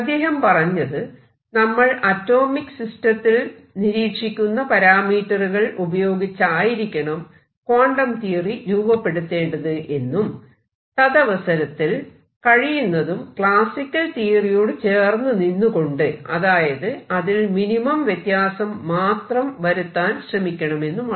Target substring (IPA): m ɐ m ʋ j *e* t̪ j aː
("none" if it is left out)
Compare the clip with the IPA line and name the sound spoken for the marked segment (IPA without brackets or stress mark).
e